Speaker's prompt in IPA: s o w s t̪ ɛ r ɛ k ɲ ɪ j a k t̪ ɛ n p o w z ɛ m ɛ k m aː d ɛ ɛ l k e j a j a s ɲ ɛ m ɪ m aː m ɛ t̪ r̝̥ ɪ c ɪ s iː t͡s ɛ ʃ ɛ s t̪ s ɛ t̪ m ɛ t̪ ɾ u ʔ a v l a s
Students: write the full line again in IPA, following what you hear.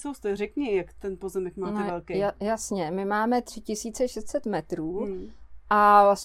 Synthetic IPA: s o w s t̪ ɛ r ɛ k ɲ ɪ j a k t̪ ɛ n p o z ɛ m ɛ k m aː n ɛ ɛ l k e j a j a s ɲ ɛ m ɪ m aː m ɛ t̪ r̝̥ ɪ c ɪ s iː t͡s ɛ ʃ ɛ s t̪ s ɛ t̪ m ɛ t̪ ɾ uː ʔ a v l a s